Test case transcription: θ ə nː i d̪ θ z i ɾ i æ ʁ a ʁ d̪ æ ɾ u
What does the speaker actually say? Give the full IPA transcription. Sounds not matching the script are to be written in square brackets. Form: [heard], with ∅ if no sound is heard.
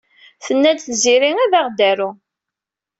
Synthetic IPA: θ ə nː [æ] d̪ θ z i ɾ i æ [ð] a ʁ d̪ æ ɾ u